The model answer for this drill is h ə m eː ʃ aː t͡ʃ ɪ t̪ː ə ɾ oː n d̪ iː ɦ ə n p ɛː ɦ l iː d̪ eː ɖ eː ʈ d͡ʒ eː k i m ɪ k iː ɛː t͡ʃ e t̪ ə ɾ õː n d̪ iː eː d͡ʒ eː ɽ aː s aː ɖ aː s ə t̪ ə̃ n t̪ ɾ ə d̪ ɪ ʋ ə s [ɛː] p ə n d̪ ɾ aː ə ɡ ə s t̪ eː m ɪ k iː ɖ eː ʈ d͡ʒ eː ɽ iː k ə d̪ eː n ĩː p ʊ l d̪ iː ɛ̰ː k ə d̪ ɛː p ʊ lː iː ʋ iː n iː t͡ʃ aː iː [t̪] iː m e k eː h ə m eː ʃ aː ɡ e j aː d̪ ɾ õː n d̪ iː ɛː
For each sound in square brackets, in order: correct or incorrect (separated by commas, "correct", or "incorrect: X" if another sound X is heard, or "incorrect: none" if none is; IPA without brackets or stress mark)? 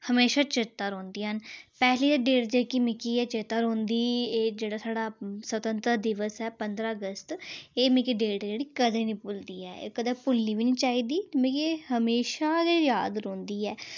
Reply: correct, incorrect: d̪